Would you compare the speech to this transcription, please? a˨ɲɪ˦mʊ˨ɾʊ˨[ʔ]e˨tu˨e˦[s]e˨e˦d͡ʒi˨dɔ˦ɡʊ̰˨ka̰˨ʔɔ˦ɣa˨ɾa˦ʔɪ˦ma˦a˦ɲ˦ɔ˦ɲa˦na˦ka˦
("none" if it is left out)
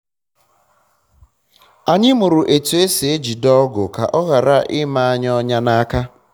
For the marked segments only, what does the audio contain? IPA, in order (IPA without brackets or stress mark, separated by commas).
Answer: ʔ, s